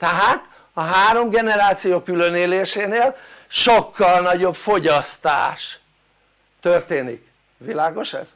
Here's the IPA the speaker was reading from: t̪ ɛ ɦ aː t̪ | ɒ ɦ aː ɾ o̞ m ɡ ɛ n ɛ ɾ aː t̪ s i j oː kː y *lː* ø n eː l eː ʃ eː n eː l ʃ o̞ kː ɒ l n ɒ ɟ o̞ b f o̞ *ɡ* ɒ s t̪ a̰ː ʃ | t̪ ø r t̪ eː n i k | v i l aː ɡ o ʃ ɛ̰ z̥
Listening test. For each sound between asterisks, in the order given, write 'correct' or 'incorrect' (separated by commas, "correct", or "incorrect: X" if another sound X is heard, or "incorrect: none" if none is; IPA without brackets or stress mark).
incorrect: l, incorrect: ɟ